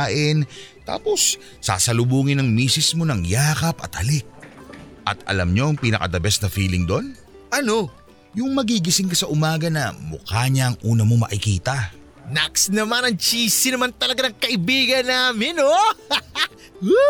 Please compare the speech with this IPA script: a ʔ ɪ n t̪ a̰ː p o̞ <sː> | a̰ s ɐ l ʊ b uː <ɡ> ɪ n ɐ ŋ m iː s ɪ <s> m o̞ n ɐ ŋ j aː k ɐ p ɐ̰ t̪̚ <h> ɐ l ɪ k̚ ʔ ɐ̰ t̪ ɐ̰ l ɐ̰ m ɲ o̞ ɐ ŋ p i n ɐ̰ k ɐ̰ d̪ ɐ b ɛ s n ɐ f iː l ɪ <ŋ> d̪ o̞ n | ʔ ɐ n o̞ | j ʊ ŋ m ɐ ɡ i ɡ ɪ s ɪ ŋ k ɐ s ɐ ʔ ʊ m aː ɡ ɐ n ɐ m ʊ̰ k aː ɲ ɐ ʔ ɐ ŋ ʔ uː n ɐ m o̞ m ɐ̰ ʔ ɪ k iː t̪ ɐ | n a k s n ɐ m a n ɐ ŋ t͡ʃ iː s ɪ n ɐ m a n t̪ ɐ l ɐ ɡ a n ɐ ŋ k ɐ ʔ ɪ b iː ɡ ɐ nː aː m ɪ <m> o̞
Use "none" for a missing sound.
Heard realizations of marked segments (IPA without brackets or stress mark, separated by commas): sː, ŋ, s, h, ŋ, n